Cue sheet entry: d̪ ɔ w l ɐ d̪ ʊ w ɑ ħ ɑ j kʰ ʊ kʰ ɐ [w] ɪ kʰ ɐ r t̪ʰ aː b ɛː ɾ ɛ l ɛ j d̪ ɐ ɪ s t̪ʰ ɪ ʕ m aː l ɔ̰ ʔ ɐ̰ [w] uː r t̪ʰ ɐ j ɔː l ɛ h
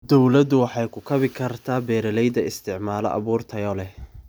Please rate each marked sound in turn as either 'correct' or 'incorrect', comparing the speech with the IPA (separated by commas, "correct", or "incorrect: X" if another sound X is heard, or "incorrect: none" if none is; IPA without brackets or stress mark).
incorrect: β, incorrect: β